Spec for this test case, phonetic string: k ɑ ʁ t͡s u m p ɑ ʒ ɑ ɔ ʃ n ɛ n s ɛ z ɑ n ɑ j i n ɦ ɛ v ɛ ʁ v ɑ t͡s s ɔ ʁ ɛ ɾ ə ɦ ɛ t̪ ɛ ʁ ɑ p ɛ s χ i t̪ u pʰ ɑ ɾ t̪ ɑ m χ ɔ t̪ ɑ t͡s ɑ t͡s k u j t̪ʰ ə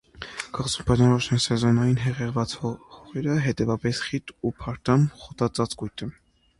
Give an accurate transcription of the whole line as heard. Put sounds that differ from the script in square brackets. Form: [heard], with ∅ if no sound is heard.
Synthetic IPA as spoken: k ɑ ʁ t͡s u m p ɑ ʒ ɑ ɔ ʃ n ɛ n s ɛ z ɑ n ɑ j i n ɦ ɛ [ʁ] ɛ ʁ v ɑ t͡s [h] ɔ ʁ ɛ ɾ ə ɦ ɛ t̪ ɛ [v] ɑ p ɛ s χ i t̪ u pʰ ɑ ɾ t̪ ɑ m χ ɔ t̪ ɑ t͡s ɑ t͡s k u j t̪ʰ ə